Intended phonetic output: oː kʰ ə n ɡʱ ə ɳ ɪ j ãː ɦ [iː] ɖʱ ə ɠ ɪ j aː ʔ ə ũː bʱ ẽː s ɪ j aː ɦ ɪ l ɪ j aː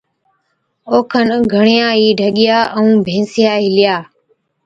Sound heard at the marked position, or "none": iː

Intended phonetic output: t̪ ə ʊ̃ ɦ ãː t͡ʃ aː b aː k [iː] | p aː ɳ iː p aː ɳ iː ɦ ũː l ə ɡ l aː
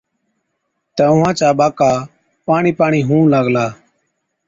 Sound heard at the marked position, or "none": aː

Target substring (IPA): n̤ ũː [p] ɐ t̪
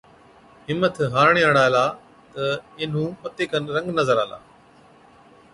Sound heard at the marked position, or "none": p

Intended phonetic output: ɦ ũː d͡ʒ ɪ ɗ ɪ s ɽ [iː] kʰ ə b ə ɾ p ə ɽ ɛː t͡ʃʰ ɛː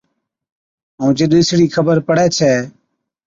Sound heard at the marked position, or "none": iː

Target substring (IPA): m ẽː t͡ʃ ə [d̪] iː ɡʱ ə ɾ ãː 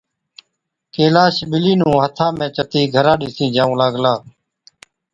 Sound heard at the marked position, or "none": t̪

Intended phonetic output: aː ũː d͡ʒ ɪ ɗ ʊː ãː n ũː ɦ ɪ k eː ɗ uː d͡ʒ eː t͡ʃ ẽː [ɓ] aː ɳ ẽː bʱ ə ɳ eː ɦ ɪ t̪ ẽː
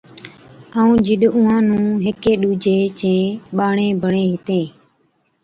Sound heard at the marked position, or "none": ɓ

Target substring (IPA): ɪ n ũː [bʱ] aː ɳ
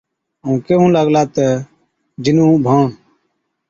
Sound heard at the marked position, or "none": bʱ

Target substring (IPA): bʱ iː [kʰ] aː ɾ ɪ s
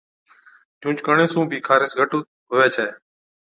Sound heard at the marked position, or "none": kʰ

